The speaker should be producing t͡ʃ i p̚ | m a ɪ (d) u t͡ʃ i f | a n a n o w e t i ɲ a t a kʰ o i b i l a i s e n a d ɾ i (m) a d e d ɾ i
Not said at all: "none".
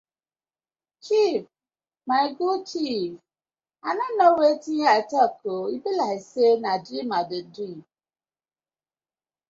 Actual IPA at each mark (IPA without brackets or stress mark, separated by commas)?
ɡ, m